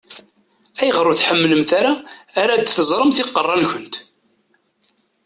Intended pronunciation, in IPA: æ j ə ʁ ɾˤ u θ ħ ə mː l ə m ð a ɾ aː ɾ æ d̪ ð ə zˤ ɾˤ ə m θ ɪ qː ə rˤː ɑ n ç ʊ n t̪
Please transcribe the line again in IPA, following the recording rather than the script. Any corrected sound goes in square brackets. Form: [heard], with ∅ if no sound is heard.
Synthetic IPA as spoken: æ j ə ʁ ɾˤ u θ ħ ə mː l ə m [θ] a ɾ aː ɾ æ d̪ [θ] ə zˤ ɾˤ ə m θ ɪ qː ə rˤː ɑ n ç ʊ n t̪